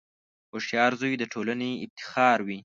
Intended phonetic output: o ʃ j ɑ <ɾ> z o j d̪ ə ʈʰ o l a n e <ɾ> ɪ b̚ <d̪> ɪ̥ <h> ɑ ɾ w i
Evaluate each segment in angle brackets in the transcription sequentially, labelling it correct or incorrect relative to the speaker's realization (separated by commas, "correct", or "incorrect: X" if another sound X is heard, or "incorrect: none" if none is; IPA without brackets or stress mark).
correct, incorrect: none, incorrect: t̪, incorrect: x